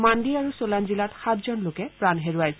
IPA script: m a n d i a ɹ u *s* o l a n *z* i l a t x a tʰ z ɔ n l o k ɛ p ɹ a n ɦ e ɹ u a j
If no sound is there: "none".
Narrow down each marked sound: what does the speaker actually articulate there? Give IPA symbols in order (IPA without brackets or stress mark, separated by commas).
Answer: s, z